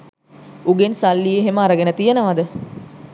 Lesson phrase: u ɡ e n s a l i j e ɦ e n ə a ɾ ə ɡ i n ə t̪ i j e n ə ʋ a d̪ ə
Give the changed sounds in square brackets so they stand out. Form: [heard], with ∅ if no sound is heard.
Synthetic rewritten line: u ɡ e n s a [lː] i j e ɦ e [m] ə a ɾ ə ɡ [e] n ə t̪ i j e n ə ʋ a d̪ ə